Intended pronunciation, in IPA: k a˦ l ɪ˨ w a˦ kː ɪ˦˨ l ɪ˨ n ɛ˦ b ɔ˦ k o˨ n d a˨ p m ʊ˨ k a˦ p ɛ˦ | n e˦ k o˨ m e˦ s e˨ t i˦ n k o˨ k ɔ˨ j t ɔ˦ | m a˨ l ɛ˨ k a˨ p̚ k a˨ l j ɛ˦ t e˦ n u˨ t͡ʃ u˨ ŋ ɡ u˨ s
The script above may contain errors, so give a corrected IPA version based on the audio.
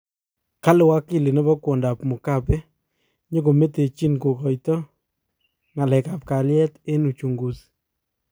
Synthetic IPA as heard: k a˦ l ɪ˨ w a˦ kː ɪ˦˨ l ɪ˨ n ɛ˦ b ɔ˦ k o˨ n d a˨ p m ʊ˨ k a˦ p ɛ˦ | ɲ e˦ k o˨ m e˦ t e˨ t͡ʃ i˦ n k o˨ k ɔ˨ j t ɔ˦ | ŋ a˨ l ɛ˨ k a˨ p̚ k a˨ l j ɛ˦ t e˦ n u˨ t͡ʃ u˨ ŋ ɡ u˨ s

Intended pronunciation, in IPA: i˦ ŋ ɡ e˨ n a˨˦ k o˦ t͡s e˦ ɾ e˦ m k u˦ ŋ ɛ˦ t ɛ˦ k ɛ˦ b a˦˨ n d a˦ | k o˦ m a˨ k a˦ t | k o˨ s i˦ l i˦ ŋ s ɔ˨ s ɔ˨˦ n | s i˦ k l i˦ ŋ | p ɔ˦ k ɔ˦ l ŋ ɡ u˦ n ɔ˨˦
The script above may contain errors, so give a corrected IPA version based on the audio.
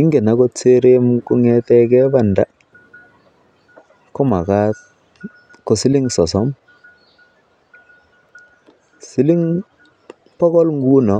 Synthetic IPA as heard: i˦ ŋ ɡ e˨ n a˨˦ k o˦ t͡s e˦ ɾ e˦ m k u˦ ŋ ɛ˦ t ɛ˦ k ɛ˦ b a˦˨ n d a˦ | k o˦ m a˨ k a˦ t | k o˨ s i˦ l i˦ ŋ s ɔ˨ s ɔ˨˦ m | s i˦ l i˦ ŋ | p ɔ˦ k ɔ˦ l ŋ ɡ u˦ n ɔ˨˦

